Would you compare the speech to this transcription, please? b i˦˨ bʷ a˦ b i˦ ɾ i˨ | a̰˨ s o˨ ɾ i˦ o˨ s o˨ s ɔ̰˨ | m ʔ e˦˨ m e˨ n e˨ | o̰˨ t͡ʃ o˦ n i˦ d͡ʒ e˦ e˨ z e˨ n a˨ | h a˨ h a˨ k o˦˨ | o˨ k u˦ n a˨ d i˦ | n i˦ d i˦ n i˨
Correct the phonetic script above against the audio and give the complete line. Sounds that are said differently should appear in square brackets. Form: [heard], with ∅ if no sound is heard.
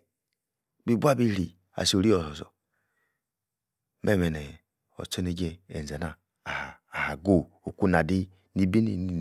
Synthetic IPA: b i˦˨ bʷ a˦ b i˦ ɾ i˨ | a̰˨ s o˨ ɾ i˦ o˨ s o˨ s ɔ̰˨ | m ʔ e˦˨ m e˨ n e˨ | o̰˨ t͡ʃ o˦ n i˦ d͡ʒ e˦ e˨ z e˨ n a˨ | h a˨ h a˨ [ɡ] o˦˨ | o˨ k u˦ n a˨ d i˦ | n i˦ [b] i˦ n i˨